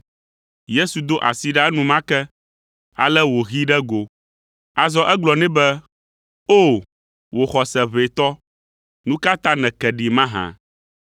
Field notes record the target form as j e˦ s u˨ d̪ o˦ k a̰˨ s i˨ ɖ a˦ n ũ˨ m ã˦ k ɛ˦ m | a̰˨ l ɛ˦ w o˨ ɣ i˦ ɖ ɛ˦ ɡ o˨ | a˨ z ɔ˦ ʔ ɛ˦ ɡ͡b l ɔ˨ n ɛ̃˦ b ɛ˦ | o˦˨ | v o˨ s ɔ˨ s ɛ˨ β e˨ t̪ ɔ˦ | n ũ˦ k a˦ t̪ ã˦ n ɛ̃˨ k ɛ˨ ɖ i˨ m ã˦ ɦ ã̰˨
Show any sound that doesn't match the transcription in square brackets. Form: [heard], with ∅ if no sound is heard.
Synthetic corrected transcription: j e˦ s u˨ d̪ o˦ [ʔ] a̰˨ s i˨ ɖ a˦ n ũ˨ m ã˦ k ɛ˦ [∅] | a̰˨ l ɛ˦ w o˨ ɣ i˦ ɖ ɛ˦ ɡ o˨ | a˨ z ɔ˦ ʔ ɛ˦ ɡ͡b l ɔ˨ n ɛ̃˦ b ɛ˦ | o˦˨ | [w] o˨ [x] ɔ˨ s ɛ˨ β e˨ t̪ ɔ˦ | n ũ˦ k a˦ t̪ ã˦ n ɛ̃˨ k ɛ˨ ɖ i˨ m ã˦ ɦ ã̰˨